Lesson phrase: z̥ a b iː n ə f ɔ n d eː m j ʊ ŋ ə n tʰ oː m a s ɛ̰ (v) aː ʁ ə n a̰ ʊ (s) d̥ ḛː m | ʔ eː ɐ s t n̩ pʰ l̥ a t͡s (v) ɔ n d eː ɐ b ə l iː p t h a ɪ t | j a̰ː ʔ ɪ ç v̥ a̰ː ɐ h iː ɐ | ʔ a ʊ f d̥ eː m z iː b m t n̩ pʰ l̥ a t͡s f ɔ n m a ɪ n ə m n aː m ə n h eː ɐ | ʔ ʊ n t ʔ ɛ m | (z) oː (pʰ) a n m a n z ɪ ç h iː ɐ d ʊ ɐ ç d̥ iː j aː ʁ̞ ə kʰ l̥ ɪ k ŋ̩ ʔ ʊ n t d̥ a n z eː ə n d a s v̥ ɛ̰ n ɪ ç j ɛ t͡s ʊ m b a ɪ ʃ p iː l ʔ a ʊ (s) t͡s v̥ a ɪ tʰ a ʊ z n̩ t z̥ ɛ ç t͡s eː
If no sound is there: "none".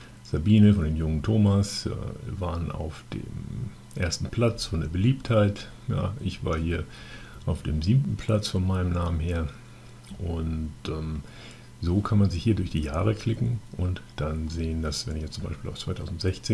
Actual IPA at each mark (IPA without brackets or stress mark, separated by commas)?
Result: v, f, f, z, kʰ, f